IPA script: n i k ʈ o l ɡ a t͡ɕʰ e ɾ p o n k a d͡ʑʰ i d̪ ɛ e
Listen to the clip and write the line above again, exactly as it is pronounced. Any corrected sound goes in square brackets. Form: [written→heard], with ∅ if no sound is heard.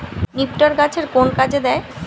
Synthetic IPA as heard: n i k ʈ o [l→ɾ] ɡ a t͡ɕʰ e ɾ [p→k] o n k a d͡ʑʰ [i→e] d̪ ɛ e